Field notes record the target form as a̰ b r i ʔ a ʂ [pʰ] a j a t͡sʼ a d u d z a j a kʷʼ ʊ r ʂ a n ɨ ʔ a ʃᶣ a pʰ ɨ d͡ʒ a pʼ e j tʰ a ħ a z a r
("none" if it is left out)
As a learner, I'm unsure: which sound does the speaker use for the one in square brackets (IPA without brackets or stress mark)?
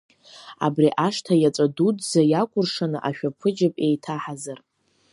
tʰ